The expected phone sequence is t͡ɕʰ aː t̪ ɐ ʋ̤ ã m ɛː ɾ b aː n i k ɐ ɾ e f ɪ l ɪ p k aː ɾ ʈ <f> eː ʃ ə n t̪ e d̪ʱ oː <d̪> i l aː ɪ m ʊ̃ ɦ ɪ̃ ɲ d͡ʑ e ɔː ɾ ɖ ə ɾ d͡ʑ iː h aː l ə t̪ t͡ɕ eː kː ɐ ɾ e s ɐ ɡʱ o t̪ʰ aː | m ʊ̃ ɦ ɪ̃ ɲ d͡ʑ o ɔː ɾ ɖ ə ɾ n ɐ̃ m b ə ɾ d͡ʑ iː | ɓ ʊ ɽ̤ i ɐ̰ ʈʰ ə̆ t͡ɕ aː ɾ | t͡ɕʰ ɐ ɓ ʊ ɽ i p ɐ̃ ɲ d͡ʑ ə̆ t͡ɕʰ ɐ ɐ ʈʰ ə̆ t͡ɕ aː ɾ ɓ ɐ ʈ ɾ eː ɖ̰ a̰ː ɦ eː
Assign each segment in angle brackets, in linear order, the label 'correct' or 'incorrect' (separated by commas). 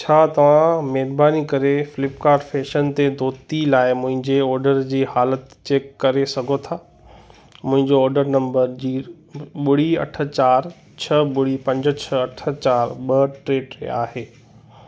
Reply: correct, incorrect